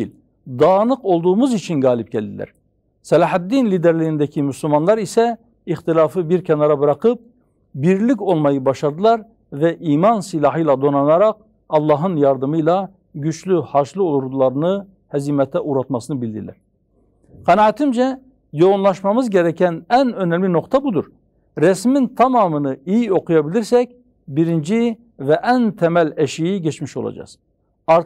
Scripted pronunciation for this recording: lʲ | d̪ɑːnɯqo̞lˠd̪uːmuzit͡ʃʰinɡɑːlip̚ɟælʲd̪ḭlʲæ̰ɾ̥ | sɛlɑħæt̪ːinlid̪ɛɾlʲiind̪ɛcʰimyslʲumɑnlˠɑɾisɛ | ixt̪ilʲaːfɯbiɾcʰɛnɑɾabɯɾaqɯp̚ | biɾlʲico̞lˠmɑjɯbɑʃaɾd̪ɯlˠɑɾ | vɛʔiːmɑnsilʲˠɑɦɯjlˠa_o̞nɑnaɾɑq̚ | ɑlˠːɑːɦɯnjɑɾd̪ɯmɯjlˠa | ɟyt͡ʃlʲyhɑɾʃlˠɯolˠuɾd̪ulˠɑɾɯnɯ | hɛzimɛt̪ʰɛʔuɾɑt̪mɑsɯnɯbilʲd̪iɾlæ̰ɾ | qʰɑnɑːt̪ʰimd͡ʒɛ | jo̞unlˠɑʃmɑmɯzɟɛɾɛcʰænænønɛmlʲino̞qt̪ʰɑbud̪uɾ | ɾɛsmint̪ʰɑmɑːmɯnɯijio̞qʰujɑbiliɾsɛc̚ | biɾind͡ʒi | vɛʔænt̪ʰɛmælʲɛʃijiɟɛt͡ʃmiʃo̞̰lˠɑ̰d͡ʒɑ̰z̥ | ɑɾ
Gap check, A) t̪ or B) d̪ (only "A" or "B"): B